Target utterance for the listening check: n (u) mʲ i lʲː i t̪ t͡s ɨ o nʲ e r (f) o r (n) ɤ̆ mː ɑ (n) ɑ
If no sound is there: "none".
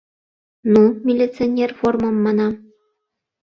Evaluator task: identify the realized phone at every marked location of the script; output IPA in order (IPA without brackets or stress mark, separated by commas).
u, f, m, n